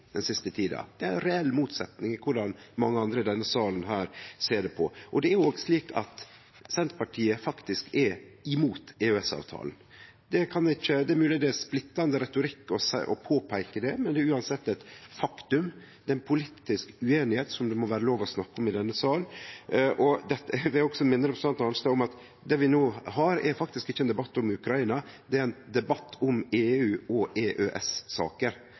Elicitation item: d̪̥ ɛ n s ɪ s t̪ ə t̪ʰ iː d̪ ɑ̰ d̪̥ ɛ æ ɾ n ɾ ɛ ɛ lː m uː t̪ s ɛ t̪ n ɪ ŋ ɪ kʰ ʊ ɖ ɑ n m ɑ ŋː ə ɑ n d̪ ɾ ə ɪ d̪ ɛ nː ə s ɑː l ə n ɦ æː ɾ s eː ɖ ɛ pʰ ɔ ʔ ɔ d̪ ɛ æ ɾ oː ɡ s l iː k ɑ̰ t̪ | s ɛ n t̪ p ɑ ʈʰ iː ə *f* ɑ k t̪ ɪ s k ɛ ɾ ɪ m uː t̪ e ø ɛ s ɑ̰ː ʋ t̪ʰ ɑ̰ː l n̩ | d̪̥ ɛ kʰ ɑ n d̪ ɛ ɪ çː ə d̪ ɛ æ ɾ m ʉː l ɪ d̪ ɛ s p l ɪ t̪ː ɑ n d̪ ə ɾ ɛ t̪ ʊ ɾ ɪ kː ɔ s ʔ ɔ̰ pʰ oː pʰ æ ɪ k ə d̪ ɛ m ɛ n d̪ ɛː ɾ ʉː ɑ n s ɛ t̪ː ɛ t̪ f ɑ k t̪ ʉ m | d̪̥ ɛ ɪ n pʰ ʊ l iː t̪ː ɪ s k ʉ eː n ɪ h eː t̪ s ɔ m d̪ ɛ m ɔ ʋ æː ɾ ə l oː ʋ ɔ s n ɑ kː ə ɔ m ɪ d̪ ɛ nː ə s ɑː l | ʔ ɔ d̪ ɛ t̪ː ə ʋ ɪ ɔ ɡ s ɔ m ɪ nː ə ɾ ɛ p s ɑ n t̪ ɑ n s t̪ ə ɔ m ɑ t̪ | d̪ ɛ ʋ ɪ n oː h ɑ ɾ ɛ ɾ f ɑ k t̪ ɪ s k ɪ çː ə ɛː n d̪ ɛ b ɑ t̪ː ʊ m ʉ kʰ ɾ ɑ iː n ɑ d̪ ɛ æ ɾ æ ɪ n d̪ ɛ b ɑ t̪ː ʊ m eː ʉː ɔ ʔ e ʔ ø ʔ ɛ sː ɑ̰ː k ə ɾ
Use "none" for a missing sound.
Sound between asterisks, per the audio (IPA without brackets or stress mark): f